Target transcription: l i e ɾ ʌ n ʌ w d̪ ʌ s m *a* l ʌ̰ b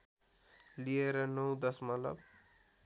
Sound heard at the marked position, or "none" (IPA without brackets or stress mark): ʌ